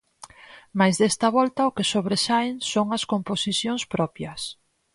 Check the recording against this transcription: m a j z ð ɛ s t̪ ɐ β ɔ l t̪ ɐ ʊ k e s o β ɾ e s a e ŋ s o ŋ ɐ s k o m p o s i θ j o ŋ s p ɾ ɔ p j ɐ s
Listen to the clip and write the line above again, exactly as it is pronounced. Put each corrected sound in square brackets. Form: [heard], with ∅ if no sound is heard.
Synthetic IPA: m a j z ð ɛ s t̪ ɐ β ɔ l t̪ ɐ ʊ k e s o β ɾ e s a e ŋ s o ŋ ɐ s k o m p o s i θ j o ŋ s p ɾ ɔ p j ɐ s